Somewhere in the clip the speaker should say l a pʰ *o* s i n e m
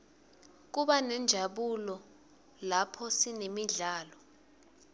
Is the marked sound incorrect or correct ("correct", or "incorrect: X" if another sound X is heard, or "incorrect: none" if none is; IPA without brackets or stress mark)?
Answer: incorrect: ɔ